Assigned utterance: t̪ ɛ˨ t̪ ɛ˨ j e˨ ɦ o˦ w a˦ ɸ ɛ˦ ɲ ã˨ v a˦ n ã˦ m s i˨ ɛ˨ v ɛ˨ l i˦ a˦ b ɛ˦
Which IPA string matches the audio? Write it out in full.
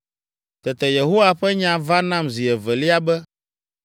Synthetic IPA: t̪ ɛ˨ t̪ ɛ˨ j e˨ ɦ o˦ w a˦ ɸ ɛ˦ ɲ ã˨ v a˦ n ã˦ m z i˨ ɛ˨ v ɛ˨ l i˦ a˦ b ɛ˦